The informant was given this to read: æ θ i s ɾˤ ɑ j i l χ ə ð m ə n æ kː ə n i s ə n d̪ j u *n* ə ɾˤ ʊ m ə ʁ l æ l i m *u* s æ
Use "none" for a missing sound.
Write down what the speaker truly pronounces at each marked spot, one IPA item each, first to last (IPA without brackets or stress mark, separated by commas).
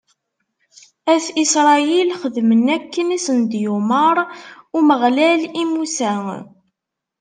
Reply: m, u